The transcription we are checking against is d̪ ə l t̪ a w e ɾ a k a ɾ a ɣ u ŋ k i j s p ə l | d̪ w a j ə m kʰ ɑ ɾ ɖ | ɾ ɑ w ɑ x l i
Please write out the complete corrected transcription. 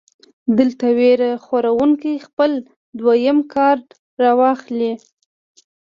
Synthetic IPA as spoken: d̪ ə l t̪ a w e ɾ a x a ɾ a w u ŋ k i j x p ə l | d̪ w a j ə m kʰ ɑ ɾ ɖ | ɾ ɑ w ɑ x l i